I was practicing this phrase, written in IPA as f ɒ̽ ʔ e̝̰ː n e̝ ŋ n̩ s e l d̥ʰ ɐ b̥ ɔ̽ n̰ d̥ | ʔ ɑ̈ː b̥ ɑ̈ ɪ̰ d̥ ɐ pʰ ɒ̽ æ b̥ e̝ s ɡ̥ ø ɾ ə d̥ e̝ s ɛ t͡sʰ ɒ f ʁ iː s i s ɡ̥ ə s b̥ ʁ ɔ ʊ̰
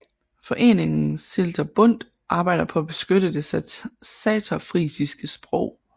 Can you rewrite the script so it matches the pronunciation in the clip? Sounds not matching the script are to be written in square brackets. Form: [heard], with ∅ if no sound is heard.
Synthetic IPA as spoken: f ɒ̽ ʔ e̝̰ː n e̝ ŋ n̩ s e l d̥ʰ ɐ b̥ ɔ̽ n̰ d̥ | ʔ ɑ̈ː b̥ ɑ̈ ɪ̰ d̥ ɐ pʰ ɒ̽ æ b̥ e̝ s ɡ̥ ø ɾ ə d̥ e̝ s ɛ t͡sʰ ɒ f ʁ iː s i s ɡ̥ ə s b̥ ʁ ɔ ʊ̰